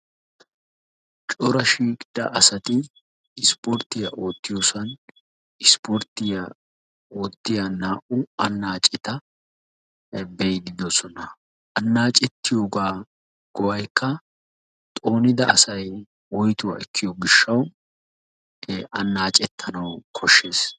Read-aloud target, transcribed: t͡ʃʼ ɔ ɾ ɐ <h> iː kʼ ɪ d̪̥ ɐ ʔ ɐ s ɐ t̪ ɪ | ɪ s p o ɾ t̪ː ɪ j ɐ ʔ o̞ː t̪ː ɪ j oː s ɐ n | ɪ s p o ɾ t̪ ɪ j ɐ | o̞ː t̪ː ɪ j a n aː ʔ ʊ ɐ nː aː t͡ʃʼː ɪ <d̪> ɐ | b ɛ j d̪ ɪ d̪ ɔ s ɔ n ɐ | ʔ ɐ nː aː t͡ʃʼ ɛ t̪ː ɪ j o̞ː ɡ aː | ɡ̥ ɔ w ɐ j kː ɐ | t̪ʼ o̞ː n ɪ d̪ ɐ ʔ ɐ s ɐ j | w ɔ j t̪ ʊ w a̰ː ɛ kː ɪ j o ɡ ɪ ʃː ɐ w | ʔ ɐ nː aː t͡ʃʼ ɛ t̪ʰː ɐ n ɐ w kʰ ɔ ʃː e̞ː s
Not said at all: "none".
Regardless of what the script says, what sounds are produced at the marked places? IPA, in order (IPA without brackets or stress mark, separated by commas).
ʃ, t̪